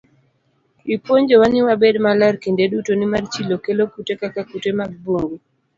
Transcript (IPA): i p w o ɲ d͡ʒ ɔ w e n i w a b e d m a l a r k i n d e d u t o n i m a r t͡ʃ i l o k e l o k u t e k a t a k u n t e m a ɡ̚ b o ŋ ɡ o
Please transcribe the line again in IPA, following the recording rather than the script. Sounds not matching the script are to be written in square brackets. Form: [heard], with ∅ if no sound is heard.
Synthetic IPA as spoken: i p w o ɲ d͡ʒ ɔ w [a] n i w a b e d m a l a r k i n d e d u t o n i m a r t͡ʃ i l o k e l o k u t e k a [k] a k u [∅] t e m a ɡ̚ b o ŋ ɡ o